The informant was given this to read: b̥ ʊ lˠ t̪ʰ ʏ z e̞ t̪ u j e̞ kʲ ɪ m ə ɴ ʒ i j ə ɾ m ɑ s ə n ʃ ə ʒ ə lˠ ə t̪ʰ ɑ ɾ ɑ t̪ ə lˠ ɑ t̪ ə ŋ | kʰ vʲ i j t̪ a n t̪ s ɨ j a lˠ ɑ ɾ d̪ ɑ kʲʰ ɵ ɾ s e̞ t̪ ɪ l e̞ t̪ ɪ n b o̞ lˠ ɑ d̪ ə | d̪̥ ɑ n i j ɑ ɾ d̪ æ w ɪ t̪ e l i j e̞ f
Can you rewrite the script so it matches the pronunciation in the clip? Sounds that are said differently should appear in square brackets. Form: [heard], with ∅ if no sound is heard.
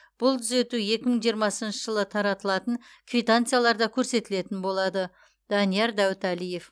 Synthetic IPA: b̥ ʊ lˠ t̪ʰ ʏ z e̞ t̪ u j e̞ kʲ ɪ m ə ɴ ʒ i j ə ɾ m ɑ s ə n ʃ ə ʒ ə lˠ ə t̪ʰ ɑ ɾ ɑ t̪ ə lˠ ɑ t̪ ə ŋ | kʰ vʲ i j t̪ a n t̪ s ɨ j a lˠ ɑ ɾ d̪ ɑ kʲʰ ɵ ɾ s e̞ t̪ ɪ l e̞ t̪ ɪ n b o̞ lˠ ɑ d̪ ə | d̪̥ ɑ n i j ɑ ɾ d̪ æ w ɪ t̪ [æ] l i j e̞ f

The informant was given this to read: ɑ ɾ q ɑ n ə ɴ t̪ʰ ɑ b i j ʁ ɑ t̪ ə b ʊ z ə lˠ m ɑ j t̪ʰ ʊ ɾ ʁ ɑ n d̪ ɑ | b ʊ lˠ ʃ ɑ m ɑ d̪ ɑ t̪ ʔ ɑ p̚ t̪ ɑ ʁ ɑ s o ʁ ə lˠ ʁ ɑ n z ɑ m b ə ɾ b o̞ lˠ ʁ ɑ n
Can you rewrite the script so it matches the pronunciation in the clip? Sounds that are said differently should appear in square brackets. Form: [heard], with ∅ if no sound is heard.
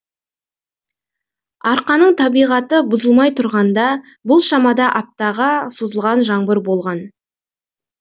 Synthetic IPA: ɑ ɾ q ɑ n ə ɴ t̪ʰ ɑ b i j ʁ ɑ t̪ ə b ʊ z ə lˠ m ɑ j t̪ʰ ʊ ɾ ʁ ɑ n d̪ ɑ | b ʊ lˠ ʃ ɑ m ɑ d̪ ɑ [∅] ʔ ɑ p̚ t̪ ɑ ʁ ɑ s o [z] ə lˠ ʁ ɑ n [ʒ] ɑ [ɴ] b ə ɾ b o̞ lˠ ʁ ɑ n

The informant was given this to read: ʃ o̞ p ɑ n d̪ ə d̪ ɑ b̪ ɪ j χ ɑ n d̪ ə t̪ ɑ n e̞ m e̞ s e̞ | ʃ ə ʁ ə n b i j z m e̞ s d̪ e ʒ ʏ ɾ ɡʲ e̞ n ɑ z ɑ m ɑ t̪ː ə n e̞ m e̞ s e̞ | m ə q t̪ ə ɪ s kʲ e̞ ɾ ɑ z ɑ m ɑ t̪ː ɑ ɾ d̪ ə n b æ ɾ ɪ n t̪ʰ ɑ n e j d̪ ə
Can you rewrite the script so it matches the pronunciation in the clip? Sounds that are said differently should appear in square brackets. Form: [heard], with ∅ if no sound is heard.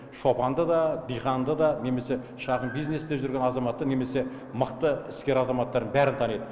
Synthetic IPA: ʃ o̞ p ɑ n d̪ ə d̪ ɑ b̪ [i] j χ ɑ n d̪ ə [d̪] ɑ n e̞ m e̞ s e̞ | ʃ [ɑ] ʁ ə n b i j z [n] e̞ s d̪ e ʒ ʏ ɾ ɡʲ e̞ n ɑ z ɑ m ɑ t̪ː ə n e̞ m e̞ s e̞ | m ə q t̪ ə ɪ s kʲ e̞ ɾ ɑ z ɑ m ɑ t̪ː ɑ ɾ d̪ ə n b æ ɾ ɪ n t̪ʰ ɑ n e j d̪ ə

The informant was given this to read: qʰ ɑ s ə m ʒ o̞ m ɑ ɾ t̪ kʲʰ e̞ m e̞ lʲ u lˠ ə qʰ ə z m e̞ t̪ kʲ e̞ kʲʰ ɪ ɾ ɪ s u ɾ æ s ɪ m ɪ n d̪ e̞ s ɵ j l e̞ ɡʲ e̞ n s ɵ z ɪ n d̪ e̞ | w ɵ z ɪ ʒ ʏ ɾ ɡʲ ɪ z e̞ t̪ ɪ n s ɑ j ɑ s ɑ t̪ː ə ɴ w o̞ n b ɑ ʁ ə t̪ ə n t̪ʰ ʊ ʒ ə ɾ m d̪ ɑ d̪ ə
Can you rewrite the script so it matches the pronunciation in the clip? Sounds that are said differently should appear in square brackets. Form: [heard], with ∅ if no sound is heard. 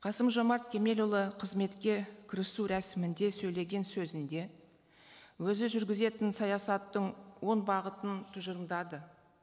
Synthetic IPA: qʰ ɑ s ə m ʒ o̞ m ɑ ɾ t̪ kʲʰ e̞ m e̞ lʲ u lˠ ə qʰ ə z m e̞ t̪ kʲ e̞ kʲʰ ɪ ɾ ɪ s u ɾ æ s ɪ m ɪ n d̪ e̞ s ɵ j l e̞ ɡʲ e̞ n s ɵ z ɪ n d̪ e̞ | w ɵ z ɪ ʒ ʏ ɾ ɡʲ ɪ z e̞ t̪ ɪ n s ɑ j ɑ s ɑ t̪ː ə ɴ w o̞ n b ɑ ʁ ə t̪ ə n t̪ʰ ʊ ʒ ə ɾ m d̪ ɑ d̪ ə

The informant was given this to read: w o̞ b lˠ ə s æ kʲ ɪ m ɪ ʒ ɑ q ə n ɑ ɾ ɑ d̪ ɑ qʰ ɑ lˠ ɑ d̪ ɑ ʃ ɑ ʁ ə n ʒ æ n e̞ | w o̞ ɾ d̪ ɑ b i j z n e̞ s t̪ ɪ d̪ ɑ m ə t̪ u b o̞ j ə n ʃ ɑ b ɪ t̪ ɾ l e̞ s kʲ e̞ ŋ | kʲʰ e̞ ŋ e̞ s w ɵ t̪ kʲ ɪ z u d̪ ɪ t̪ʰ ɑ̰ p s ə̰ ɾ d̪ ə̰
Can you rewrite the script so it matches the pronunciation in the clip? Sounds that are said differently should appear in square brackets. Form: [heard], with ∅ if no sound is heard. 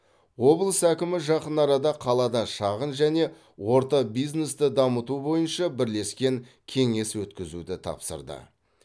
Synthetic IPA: w o̞ b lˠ ə s æ kʲ ɪ m ɪ ʒ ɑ q ə n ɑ ɾ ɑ d̪ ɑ qʰ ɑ lˠ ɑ d̪ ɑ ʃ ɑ ʁ ə n ʒ æ n e̞ | w o̞ ɾ [t̪] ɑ b i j z n e̞ s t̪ ɪ d̪ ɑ m ə t̪ u b o̞ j ə n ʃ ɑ b ɪ [∅] ɾ l e̞ s kʲ e̞ ŋ | kʲʰ e̞ ŋ e̞ s w ɵ t̪ kʲ ɪ z u d̪ ɪ t̪ʰ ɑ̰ p s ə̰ ɾ d̪ ə̰

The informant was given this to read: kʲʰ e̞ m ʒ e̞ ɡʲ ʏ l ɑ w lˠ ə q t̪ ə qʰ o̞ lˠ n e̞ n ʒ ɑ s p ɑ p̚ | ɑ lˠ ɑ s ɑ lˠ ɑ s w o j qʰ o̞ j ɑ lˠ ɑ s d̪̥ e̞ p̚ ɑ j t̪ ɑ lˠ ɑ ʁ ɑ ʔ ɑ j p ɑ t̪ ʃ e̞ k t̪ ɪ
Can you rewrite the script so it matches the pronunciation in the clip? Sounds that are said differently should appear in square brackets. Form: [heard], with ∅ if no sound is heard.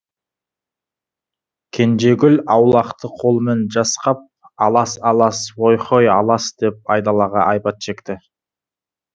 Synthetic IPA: kʲʰ e̞ [n] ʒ e̞ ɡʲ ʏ l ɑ w lˠ [ɑ] q t̪ ə qʰ o̞ lˠ [m] e̞ n ʒ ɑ s [q] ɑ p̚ | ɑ lˠ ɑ s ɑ lˠ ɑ s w o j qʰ o̞ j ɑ lˠ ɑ s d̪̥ e̞ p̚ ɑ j [d̪] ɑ lˠ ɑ ʁ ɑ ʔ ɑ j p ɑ t̪ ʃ e̞ k t̪ ɪ

